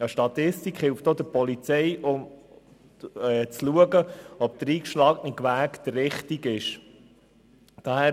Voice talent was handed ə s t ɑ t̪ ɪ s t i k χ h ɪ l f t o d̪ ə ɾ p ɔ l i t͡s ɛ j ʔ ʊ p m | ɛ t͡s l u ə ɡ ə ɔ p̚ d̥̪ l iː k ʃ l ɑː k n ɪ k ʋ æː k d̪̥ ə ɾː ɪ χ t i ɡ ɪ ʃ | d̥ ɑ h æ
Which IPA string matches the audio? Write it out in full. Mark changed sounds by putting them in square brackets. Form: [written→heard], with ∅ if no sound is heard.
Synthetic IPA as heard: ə [s→ʃ] t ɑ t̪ ɪ s t i k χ h ɪ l f t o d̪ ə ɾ p ɔ l i t͡s ɛ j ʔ ʊ [p→∅] m | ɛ t͡s l u ə ɡ ə ɔ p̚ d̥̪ [l→ɾ] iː k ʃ l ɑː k n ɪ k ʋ æː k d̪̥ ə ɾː ɪ χ t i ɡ ɪ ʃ | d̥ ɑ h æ